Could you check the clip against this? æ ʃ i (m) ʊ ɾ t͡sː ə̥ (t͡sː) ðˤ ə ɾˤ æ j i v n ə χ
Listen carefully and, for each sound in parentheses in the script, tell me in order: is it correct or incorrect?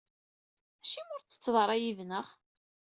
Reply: correct, correct

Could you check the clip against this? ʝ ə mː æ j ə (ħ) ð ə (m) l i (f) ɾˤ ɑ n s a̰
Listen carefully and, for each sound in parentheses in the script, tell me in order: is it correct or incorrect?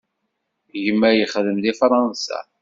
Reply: incorrect: χ, correct, correct

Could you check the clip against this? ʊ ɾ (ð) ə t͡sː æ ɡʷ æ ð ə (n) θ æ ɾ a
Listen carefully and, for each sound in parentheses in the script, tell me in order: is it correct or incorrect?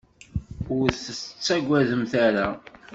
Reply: incorrect: θ, incorrect: m

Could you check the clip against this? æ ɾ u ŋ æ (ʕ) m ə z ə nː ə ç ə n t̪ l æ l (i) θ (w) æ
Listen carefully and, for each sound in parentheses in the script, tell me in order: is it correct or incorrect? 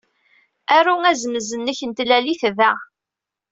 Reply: incorrect: z, correct, incorrect: v

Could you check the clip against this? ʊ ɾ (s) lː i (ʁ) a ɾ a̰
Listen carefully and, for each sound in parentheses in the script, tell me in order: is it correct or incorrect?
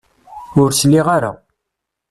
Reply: correct, correct

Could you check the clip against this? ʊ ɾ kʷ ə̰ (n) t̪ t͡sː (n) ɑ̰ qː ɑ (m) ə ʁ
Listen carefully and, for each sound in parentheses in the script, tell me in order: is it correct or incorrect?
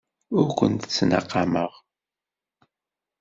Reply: correct, correct, correct

